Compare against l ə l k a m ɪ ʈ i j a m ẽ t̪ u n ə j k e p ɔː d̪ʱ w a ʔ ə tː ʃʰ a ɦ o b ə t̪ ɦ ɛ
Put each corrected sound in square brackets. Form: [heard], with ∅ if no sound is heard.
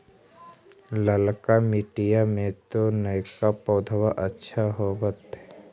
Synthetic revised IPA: l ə l k a m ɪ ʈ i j a m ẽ t̪ [o] n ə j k [a] p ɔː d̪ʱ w a ʔ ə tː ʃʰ a ɦ o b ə t̪ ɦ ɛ